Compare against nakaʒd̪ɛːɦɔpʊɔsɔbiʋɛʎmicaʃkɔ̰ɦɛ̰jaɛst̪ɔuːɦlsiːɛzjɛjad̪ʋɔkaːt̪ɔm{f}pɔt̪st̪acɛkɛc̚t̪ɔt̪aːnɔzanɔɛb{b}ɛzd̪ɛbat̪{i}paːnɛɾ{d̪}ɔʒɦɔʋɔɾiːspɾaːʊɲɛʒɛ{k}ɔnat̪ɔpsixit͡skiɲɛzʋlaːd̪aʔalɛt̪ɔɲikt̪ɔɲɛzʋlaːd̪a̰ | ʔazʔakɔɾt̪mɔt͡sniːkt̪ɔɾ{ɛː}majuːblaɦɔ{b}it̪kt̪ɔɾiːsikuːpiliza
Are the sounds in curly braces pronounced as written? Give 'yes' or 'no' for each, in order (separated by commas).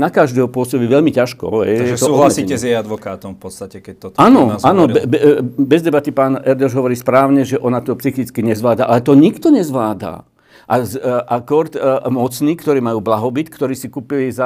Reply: yes, yes, yes, yes, no, no, yes